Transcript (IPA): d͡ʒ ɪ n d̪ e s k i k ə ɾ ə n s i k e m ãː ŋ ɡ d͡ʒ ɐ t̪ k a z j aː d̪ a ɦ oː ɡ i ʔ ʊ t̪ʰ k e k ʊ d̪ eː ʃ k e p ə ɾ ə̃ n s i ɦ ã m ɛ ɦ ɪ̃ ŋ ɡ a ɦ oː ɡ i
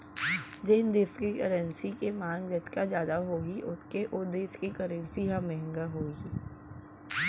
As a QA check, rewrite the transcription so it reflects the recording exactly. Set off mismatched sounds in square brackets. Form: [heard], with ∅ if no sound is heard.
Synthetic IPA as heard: d͡ʒ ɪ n d̪ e s k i k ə ɾ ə n s i k e m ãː ŋ ɡ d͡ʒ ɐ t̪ k a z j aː d̪ a ɦ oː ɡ i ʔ ʊ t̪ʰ k e [ʔ] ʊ d̪ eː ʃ k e [k] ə ɾ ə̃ n s i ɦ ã m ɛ ɦ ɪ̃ ŋ ɡ a ɦ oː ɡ i